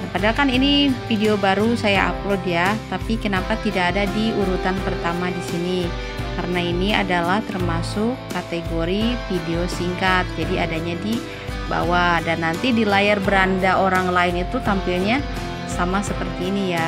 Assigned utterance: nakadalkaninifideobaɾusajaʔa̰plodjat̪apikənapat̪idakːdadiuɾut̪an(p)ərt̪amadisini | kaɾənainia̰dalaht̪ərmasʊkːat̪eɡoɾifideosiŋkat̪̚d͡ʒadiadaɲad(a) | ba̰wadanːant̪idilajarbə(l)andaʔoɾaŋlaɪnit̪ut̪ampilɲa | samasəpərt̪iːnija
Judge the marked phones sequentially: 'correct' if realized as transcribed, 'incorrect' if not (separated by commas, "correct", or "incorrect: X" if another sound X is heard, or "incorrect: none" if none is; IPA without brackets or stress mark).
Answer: correct, incorrect: i, incorrect: ɾ